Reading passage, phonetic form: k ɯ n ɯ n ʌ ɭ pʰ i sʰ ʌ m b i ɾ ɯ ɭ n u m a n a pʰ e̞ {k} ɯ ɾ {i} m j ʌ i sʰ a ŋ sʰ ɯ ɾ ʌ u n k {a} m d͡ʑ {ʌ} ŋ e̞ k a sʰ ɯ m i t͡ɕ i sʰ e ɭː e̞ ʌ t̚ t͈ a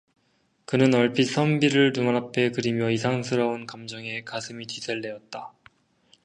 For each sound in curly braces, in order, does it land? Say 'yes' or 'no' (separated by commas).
yes, yes, yes, yes